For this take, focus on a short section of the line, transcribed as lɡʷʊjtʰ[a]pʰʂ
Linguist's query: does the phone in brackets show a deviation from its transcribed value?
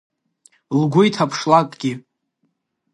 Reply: no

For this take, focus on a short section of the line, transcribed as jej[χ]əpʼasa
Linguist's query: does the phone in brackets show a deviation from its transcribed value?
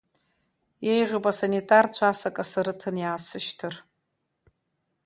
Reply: yes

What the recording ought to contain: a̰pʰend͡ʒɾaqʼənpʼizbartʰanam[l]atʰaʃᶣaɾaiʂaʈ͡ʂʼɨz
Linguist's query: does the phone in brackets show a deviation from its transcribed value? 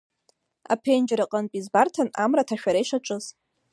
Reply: yes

